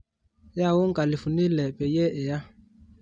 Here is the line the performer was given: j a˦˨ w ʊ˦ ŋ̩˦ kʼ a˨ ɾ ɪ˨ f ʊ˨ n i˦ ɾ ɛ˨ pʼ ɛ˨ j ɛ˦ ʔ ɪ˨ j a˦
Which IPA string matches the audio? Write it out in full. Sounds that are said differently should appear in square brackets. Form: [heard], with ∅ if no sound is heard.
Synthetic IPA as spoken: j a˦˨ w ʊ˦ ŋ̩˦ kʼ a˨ [l] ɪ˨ f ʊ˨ n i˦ [l] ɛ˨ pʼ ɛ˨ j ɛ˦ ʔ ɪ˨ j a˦